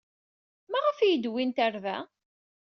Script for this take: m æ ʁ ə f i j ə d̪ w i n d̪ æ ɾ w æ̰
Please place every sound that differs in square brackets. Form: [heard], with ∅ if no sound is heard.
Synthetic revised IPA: m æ ʁ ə f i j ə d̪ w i n [t̪] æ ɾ [v] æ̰